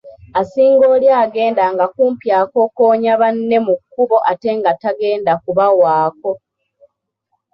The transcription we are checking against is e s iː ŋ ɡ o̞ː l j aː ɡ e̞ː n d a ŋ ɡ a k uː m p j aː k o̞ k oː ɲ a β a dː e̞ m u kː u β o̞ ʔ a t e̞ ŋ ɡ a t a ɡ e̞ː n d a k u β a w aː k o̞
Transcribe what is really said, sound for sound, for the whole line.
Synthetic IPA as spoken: a s iː ŋ ɡ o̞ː l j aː ɡ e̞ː n d a ŋ ɡ a k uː m p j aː k o̞ k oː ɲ a β a nː e̞ m u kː u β o̞ ʔ a t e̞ ŋ ɡ a t a ɡ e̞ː n d a k u β a w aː k o̞